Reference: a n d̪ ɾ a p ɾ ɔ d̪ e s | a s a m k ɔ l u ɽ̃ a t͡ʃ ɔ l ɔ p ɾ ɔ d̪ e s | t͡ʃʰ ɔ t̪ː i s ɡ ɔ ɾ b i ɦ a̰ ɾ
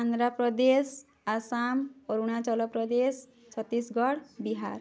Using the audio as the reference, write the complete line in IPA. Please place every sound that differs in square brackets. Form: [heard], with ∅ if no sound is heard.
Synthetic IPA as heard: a n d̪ ɾ a p ɾ ɔ d̪ e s | a s a m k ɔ [ɾ] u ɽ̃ a t͡ʃ ɔ l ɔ p ɾ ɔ d̪ e s | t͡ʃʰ ɔ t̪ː i s ɡ ɔ [ɽ] b i ɦ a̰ ɾ